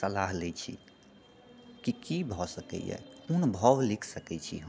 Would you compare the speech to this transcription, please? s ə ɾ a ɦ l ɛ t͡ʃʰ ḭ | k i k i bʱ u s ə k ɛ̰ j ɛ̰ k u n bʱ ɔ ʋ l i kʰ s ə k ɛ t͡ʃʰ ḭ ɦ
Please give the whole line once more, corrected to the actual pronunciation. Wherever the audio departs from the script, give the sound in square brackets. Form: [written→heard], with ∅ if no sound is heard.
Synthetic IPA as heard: s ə [ɾ→l] a ɦ l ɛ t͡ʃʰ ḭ | k i k i bʱ [u→ɔ] s ə k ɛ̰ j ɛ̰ k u n bʱ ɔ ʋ l i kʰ s ə k ɛ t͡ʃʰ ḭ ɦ